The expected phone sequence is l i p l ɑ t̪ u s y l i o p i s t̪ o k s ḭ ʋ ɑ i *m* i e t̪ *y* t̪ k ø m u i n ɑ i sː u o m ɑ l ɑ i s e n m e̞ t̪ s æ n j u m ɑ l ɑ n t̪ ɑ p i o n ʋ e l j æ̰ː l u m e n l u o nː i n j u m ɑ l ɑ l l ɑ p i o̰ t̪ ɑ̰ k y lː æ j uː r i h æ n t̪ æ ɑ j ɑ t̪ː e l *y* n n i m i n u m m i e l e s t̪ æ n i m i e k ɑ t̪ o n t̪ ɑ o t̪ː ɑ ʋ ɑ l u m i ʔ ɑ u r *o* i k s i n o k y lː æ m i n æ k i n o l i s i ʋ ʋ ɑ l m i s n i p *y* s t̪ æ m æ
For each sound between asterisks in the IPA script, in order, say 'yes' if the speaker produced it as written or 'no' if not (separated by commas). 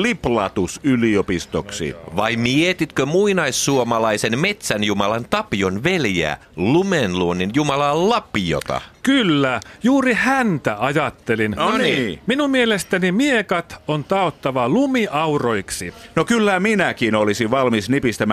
yes, no, no, yes, no